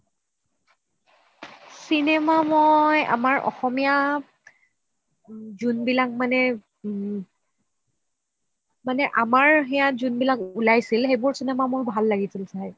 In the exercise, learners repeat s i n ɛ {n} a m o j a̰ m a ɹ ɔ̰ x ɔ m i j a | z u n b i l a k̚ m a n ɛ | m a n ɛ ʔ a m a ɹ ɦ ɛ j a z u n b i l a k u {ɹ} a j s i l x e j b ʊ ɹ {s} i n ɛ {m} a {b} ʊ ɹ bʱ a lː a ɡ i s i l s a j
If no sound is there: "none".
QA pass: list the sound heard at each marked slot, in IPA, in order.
m, l, s, m, m

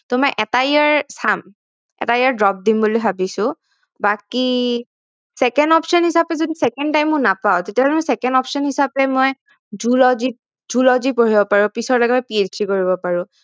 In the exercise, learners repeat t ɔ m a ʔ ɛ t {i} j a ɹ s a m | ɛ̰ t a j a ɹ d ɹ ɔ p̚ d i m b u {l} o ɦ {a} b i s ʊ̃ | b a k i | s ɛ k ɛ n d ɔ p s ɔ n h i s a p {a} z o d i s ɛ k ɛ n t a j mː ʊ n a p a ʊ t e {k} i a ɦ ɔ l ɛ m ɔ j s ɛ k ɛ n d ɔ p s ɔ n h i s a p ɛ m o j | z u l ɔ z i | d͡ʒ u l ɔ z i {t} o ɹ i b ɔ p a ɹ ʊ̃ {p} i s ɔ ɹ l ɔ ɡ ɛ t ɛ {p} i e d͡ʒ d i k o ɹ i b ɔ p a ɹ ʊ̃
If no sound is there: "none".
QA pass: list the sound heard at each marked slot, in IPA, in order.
a, l, a, ɛ, t, p, p, p

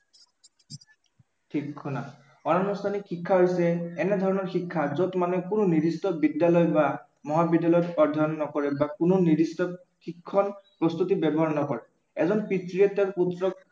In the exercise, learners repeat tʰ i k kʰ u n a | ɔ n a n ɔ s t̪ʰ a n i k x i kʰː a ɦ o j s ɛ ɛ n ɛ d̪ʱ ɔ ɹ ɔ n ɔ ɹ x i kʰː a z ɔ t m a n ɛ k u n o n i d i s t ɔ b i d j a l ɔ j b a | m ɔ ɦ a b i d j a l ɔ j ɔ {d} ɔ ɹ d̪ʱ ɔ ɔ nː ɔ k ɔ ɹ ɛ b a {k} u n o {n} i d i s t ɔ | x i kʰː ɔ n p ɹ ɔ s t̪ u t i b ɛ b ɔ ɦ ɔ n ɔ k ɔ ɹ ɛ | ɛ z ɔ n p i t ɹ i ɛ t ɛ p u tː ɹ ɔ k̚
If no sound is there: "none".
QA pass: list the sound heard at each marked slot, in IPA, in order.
t, k, n

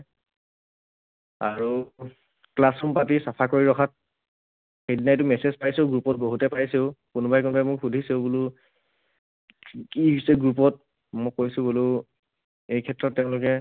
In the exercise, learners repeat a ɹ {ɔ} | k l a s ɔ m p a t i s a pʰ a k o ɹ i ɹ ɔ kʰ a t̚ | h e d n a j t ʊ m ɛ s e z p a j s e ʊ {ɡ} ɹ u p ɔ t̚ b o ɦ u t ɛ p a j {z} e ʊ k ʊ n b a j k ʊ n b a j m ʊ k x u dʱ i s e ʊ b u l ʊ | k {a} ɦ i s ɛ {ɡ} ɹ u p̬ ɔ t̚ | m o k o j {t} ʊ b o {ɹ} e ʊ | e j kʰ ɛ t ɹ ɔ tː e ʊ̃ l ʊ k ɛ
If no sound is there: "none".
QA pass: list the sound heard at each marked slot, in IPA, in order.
u, ɡ, s, i, ɡ, s, l

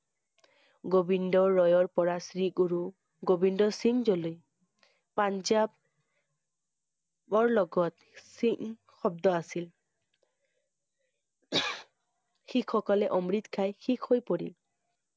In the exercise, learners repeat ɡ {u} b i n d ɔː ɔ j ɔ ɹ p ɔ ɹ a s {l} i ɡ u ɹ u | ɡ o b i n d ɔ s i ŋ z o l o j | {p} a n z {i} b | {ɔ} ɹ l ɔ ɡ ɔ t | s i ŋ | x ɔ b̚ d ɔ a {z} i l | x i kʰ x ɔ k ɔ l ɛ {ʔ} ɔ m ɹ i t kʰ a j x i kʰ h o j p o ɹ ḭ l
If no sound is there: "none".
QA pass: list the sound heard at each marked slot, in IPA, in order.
o, ɹ, p, a, ɔ, s, ʔ

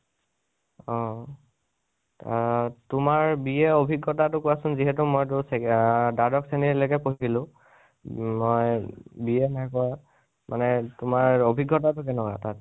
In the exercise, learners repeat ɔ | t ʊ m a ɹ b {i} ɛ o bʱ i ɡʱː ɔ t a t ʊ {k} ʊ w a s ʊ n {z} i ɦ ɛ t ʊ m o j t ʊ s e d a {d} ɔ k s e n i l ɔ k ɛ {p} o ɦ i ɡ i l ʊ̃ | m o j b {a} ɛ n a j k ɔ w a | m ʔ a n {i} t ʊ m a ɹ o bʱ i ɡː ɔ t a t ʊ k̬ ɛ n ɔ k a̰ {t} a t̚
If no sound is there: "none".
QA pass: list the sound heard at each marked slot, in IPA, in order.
i, k, z, d, p, i, ɛ, t

